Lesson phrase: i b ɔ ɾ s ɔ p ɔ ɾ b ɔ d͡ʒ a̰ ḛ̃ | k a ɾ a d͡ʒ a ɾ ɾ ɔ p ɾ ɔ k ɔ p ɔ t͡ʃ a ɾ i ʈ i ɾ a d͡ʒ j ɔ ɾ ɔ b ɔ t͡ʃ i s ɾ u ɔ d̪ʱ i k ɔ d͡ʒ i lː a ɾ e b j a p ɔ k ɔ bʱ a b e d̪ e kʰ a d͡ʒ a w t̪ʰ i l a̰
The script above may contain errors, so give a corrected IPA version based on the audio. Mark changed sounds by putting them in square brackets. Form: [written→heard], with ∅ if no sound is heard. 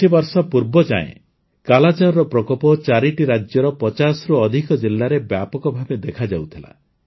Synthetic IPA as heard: i b ɔ ɾ s ɔ p [ɔ→u] ɾ b ɔ d͡ʒ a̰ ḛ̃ | k a [ɾ→l] a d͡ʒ a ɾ ɾ ɔ p ɾ ɔ k ɔ p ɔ t͡ʃ a ɾ i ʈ i ɾ a d͡ʒ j ɔ ɾ ɔ [b→p] ɔ t͡ʃ [i→a] s ɾ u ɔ d̪ʱ i k ɔ d͡ʒ i lː a ɾ e b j a p ɔ k ɔ bʱ a b e d̪ e kʰ a d͡ʒ a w t̪ʰ i l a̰